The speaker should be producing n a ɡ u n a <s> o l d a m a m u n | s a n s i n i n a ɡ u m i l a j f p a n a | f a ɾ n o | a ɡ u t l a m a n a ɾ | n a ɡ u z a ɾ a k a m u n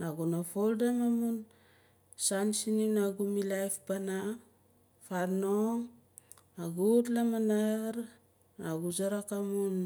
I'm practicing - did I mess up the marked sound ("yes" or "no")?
yes